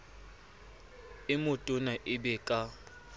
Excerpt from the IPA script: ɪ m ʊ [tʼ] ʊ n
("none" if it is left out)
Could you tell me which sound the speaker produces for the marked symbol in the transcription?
tʼ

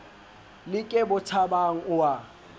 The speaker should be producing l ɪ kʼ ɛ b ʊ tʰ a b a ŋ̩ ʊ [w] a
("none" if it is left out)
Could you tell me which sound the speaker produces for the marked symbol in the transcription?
w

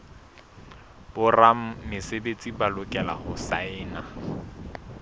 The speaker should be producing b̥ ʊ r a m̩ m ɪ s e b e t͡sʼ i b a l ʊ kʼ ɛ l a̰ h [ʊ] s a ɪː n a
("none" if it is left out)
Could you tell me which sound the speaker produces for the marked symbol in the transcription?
ʊ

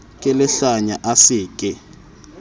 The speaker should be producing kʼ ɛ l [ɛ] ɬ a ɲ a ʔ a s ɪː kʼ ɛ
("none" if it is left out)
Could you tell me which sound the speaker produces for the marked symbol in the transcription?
ɛ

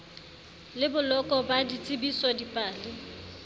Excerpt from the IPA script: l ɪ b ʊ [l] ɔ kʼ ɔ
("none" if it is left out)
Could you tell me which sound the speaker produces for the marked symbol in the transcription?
l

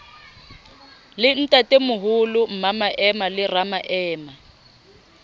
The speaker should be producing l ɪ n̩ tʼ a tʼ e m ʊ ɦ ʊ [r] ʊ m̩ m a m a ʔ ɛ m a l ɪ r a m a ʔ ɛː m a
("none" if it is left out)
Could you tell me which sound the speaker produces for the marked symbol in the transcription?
l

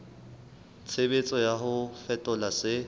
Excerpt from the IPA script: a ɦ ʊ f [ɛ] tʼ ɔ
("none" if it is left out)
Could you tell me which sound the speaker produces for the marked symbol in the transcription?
ɛ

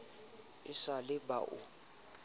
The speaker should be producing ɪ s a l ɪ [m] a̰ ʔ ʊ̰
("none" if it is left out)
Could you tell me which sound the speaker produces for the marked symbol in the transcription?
b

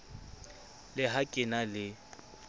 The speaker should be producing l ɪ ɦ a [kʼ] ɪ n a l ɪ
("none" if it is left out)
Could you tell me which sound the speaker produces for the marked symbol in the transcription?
kʼ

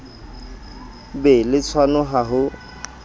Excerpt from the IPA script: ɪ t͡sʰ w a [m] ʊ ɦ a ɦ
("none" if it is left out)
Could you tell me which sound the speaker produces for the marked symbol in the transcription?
n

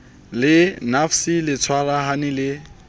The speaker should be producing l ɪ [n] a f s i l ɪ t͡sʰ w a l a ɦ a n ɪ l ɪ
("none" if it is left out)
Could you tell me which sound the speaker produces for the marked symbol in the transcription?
n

